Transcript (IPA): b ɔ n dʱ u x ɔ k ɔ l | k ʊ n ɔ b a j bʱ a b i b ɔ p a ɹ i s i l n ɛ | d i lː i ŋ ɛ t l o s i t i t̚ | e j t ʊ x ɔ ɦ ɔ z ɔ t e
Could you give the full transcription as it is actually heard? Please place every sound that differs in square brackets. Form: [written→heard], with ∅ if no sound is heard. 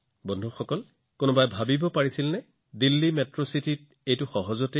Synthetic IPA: b ɔ n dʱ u x ɔ k ɔ l | k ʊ n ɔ b a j bʱ a b i b ɔ p a ɹ i s i l n ɛ | d i lː i [ŋ→m] ɛ t [l→ɹ] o s i t i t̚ | e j t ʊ x ɔ ɦ ɔ z ɔ t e